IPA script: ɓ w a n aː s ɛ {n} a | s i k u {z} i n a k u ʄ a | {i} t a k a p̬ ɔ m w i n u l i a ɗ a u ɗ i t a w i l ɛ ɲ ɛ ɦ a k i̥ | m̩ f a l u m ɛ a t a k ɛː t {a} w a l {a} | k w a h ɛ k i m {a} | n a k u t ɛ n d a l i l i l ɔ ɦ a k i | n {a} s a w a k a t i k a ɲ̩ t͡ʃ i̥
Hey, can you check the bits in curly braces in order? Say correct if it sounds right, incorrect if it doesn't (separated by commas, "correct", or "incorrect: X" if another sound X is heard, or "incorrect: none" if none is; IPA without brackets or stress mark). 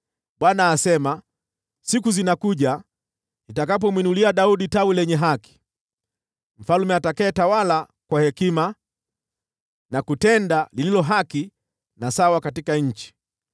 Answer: incorrect: m, correct, correct, correct, correct, correct, correct